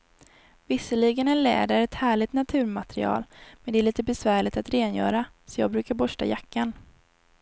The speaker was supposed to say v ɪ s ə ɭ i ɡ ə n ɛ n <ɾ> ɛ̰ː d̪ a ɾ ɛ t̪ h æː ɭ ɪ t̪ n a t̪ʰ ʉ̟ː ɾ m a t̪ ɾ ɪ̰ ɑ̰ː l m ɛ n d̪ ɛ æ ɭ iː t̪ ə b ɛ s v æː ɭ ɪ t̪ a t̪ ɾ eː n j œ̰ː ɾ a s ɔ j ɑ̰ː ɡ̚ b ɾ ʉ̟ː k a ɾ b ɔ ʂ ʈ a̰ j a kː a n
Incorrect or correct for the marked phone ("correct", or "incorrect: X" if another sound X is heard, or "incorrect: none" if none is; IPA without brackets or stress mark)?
incorrect: l